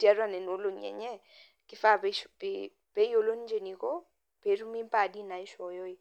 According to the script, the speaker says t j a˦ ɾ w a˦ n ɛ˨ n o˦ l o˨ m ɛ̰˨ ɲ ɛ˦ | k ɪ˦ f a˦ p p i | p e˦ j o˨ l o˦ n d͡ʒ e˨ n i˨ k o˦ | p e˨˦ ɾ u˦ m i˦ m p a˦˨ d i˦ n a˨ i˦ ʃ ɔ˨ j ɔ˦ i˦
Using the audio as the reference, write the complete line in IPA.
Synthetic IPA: t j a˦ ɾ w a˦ n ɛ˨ n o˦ l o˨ ɲ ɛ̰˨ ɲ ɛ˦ | k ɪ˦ f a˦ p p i | p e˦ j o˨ l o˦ n d͡ʒ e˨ n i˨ k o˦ | p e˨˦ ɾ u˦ m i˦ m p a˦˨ d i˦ n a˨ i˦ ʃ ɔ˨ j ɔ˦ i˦